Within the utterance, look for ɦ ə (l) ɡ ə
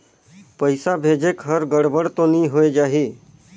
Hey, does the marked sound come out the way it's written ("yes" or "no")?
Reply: no